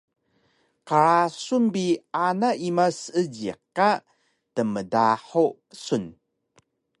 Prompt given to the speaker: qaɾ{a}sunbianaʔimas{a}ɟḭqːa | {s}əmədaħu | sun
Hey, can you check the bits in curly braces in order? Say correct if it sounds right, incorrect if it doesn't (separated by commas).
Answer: correct, incorrect, incorrect